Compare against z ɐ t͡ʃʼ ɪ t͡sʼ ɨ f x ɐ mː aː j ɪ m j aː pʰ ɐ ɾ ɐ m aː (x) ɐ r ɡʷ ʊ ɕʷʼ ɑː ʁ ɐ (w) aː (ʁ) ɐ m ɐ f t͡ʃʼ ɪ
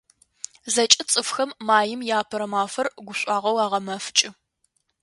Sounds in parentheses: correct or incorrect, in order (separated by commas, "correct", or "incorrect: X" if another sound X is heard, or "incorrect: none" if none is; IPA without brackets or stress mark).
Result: incorrect: f, correct, correct